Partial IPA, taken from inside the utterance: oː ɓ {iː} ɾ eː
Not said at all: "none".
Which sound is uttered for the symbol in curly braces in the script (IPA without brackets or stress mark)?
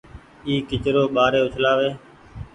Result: aː